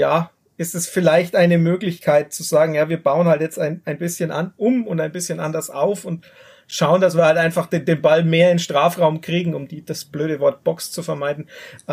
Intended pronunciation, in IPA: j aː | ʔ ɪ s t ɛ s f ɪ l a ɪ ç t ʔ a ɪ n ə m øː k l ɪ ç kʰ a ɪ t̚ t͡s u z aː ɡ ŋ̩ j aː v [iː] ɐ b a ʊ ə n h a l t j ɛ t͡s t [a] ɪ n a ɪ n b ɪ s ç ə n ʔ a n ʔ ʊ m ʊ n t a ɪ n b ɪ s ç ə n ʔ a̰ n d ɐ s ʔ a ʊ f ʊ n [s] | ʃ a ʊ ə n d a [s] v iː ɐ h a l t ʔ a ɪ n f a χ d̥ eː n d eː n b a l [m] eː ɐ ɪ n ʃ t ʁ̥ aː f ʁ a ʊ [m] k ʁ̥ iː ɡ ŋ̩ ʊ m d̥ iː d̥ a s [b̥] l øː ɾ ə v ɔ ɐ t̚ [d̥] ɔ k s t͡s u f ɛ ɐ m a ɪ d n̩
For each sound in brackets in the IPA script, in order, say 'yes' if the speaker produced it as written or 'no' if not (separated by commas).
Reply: yes, yes, no, yes, yes, yes, yes, no